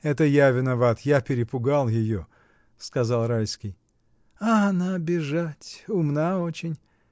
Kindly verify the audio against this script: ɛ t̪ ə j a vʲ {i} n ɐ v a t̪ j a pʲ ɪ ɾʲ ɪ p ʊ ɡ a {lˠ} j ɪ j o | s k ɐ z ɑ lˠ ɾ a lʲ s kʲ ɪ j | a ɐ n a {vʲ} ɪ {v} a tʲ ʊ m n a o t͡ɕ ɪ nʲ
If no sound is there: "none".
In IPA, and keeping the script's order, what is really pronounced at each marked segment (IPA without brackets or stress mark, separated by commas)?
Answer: ɪ, lˠ, bʲ, ʐ